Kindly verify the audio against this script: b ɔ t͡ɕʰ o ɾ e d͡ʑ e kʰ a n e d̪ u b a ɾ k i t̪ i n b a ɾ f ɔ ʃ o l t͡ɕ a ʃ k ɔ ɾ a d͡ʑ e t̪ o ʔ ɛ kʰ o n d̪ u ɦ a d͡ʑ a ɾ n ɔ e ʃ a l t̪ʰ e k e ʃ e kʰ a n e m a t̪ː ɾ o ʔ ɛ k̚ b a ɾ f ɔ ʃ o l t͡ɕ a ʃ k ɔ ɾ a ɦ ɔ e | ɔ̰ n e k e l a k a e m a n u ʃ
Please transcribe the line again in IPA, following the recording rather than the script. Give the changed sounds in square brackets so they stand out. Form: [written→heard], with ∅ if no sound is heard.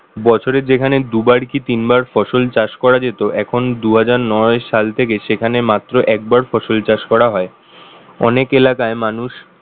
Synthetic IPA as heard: b ɔ t͡ɕʰ o ɾ e d͡ʑ e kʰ a n e d̪ u b a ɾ k i t̪ i n b a ɾ f ɔ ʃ o l t͡ɕ a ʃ k ɔ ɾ a d͡ʑ e t̪ o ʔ ɛ kʰ o n d̪ u ɦ a d͡ʑ a ɾ n ɔ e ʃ a l t̪ʰ e k e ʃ e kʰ a n e m a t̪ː ɾ o ʔ ɛ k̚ b a ɾ f ɔ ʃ o l t͡ɕ a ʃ k ɔ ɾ a ɦ ɔ e | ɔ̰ n e k e l a k a e m a n u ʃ